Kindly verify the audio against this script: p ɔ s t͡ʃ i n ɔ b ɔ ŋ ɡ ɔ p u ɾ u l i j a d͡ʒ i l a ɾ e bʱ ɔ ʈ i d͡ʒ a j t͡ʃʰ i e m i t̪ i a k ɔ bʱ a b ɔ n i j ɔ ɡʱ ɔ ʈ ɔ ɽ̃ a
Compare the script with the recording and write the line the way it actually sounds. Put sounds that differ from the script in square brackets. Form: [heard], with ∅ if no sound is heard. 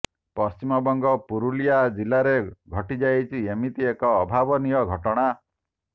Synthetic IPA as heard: p ɔ s t͡ʃ i [m] ɔ b ɔ ŋ ɡ ɔ p u ɾ u l i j a d͡ʒ i l a ɾ e [ɡʱ] ɔ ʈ i d͡ʒ a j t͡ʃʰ i e m i t̪ i [e] k [ɔː] bʱ a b ɔ n i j ɔ ɡʱ ɔ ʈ ɔ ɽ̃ a

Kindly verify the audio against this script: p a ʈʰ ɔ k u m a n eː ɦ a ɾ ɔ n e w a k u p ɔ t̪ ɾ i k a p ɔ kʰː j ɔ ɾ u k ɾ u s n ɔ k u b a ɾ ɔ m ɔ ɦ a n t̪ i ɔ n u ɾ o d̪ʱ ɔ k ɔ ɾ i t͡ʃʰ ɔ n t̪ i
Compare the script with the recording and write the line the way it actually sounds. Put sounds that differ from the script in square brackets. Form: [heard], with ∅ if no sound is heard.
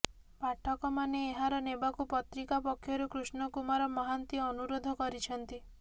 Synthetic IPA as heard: p a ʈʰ ɔ k [ɔ] m a n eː ɦ a ɾ ɔ n e [b] a k u p ɔ t̪ ɾ i k a p ɔ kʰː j ɔ ɾ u k ɾ u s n ɔ k u [m] a ɾ ɔ m ɔ ɦ a n t̪ i ɔ n u ɾ o d̪ʱ ɔ k ɔ ɾ i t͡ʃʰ ɔ n t̪ i

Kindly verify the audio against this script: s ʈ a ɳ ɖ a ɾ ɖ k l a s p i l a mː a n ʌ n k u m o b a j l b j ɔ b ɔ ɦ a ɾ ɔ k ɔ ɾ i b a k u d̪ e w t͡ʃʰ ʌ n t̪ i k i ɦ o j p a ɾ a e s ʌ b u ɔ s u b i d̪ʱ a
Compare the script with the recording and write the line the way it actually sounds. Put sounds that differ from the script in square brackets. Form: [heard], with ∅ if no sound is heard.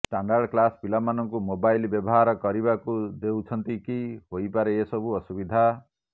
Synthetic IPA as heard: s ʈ a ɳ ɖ a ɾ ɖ k l a s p i l a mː a n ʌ [ŋ] k u m o b a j l b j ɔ b ɔ ɦ a ɾ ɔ k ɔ ɾ i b a k u d̪ e w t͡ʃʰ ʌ n t̪ i k i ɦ o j p a ɾ [e] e s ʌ b u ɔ s u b i d̪ʱ a

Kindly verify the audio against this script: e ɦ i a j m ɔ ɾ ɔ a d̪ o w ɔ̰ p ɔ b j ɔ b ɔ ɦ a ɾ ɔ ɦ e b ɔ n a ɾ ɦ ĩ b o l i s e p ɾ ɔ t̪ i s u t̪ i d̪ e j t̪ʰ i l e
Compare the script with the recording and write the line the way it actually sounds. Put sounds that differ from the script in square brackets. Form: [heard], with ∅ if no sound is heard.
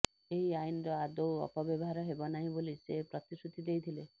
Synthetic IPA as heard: e ɦ i a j [n] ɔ ɾ ɔ a d̪ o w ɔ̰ p ɔ b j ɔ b ɔ ɦ a ɾ ɔ ɦ e b ɔ n a [∅] ɦ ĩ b o l i s e p ɾ ɔ t̪ i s u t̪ i d̪ e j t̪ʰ i l e

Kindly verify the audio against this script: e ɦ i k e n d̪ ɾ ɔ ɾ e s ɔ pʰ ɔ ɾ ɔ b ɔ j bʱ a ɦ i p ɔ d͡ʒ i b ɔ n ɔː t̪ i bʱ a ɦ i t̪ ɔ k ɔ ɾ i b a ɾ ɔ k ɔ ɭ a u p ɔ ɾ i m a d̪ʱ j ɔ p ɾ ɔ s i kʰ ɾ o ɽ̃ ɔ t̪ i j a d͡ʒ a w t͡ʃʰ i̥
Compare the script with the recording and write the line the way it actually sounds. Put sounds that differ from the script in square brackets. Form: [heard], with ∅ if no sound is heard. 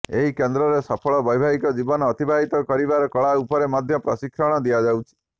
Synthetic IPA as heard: e ɦ i k e n d̪ ɾ ɔ ɾ e s ɔ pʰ ɔ [ɭ] ɔ b ɔ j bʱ a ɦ i [k] ɔ d͡ʒ i b ɔ n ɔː t̪ i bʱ a ɦ i t̪ ɔ k ɔ ɾ i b a ɾ ɔ k ɔ ɭ a u p ɔ ɾ [e] m a d̪ʱ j ɔ p ɾ ɔ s i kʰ ɾ [ɔ] ɽ̃ ɔ [d̪] i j a d͡ʒ a w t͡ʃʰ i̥

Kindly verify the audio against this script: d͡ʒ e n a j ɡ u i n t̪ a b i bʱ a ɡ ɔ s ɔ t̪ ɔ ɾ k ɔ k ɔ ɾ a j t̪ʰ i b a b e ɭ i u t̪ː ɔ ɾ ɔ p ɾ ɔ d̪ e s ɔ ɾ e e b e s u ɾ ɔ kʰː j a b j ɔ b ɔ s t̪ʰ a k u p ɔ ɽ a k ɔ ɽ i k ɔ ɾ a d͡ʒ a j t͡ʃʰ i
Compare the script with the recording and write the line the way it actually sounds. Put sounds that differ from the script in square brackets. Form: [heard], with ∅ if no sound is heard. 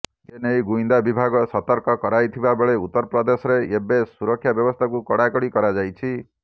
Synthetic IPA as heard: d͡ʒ e n [e] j ɡ u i n [d̪] a b i bʱ a ɡ ɔ s ɔ t̪ ɔ ɾ k ɔ k ɔ ɾ a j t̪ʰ i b a b e ɭ [e] u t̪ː ɔ ɾ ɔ p ɾ ɔ d̪ e s ɔ ɾ e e b e s u ɾ ɔ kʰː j a b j ɔ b ɔ s t̪ʰ a k u [k] ɔ ɽ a k ɔ ɽ i k ɔ ɾ a d͡ʒ a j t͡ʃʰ i

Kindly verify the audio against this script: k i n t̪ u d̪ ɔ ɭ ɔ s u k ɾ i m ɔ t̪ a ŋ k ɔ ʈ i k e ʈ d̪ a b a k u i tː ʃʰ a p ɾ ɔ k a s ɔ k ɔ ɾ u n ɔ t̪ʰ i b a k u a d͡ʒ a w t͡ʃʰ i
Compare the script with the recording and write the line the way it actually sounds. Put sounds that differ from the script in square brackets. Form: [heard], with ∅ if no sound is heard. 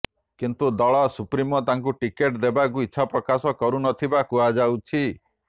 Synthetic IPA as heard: k i n t̪ u d̪ ɔ ɭ ɔ s u [p] ɾ i m ɔ t̪ a ŋ k [u] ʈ i k e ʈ d̪ [e] b a k u i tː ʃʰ a p ɾ ɔ k a s ɔ k ɔ ɾ u n ɔ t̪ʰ i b a k u a d͡ʒ a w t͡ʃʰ i

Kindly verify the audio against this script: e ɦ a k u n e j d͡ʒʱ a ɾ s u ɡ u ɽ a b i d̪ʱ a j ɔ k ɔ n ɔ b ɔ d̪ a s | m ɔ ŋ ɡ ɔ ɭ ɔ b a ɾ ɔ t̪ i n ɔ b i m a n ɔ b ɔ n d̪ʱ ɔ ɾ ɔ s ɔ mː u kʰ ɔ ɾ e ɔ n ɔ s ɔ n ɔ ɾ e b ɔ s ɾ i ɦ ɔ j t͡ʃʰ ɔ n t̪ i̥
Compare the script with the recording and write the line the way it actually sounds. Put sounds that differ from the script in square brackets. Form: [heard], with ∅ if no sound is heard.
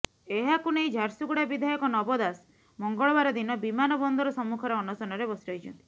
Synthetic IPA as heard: e ɦ a k u n e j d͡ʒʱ a ɾ s u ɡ u ɽ a b i d̪ʱ a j ɔ k ɔ n ɔ b ɔ d̪ a s | m ɔ ŋ ɡ ɔ ɭ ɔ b a ɾ ɔ [d̪] i n ɔ b i m a n ɔ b ɔ n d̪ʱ ɔ ɾ ɔ s ɔ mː u kʰ ɔ ɾ e ɔ n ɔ s ɔ n ɔ ɾ e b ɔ s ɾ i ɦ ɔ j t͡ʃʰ ɔ n t̪ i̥

